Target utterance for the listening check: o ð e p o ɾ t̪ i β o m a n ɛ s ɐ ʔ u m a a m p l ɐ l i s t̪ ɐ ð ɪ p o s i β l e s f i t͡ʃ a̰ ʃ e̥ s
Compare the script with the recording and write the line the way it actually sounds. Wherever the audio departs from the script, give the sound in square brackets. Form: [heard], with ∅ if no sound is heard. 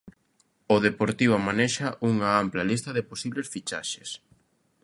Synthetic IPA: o ð e p o ɾ t̪ i β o m a n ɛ [ʃ] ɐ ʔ u [ŋ] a a m p l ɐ l i s t̪ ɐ ð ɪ p o s i β l e s f i t͡ʃ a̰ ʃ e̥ s